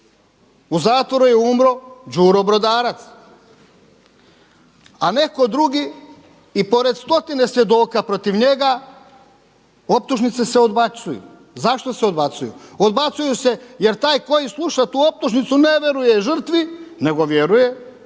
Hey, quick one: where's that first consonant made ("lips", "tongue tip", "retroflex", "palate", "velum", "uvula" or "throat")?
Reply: tongue tip